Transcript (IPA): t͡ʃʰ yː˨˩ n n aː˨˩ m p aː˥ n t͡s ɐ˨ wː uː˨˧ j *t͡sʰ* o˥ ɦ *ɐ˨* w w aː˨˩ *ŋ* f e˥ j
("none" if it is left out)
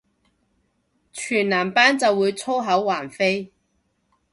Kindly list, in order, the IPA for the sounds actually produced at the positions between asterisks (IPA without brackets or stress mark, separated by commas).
t͡sʰ, ɐ˨˥, n